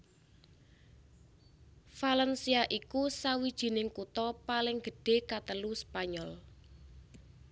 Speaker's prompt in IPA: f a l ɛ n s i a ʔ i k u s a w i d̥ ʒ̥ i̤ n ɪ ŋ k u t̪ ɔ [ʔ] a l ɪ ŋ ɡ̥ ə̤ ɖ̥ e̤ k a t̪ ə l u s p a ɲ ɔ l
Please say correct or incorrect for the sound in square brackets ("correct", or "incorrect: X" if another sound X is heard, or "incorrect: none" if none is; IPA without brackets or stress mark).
incorrect: p